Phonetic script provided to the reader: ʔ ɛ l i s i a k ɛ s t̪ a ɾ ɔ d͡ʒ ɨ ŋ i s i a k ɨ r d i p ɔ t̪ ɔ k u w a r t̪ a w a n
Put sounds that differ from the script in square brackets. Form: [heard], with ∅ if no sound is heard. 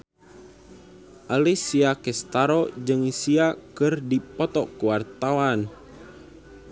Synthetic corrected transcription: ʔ [a] l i s i a k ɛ s t̪ a ɾ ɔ d͡ʒ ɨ ŋ i s i a k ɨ r d i p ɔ t̪ ɔ k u w a r t̪ a w a n